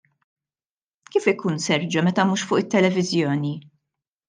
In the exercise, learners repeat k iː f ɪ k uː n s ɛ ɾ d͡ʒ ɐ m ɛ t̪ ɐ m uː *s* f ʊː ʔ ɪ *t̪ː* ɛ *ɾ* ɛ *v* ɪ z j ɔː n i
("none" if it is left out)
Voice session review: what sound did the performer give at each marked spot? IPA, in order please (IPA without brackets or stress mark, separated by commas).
ʃ, t̪ː, l, v